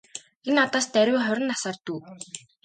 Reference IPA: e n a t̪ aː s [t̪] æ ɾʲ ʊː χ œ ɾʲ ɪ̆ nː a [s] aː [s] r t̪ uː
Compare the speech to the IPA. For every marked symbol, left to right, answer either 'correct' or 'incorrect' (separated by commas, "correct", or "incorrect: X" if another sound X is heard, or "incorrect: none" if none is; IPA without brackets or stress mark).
correct, correct, incorrect: none